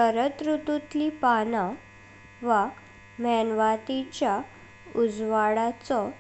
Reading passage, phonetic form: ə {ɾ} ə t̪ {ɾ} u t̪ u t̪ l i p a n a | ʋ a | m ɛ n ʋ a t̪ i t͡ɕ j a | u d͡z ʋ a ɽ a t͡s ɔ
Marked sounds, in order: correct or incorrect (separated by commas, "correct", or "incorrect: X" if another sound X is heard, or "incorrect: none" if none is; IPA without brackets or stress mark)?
correct, correct